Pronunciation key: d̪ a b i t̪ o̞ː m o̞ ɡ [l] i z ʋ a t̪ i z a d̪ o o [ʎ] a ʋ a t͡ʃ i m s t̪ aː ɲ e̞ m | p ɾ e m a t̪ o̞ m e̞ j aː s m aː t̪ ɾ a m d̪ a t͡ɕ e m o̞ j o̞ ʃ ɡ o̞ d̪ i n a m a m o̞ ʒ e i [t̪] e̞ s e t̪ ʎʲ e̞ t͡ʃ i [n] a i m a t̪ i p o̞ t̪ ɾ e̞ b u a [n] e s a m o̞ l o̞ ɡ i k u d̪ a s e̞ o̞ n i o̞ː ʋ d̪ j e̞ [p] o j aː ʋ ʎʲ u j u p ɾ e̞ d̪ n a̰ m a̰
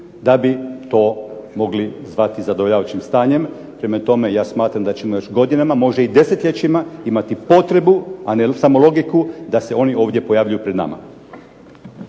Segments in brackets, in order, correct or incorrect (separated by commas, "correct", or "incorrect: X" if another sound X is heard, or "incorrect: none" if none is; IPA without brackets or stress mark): correct, correct, incorrect: d̪, incorrect: m, correct, correct